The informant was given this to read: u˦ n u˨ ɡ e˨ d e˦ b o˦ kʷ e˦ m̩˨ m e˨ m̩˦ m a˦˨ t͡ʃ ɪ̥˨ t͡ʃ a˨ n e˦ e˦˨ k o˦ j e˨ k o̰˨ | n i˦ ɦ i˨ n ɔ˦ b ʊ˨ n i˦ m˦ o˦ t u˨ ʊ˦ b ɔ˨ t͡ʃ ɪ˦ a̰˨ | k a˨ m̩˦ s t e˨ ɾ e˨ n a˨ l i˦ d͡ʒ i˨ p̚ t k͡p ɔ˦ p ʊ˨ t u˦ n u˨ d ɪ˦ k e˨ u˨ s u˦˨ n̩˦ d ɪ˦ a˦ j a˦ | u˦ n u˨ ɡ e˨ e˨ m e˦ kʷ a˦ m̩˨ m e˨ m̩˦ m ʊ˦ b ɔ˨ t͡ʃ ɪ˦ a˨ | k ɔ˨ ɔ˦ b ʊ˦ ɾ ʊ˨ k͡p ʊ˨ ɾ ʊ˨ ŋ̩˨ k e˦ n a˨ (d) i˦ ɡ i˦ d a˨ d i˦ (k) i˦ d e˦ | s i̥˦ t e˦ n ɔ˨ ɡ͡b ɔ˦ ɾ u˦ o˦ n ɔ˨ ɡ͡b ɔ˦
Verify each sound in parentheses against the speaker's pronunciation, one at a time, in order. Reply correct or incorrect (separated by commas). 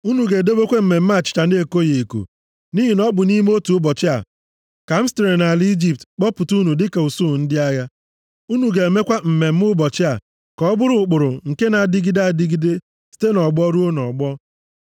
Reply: correct, incorrect